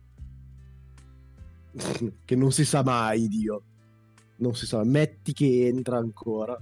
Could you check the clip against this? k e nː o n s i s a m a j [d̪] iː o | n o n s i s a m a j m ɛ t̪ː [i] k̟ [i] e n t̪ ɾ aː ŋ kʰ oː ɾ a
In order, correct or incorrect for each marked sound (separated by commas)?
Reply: correct, correct, incorrect